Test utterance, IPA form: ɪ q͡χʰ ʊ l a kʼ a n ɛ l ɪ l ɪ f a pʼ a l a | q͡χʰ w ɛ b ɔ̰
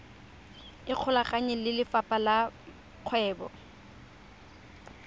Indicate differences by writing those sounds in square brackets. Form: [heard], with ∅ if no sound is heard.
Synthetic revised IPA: ɪ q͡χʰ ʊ l a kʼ a [ɲ] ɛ l ɪ l ɪ f a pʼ a l a | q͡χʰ w [ɛː] b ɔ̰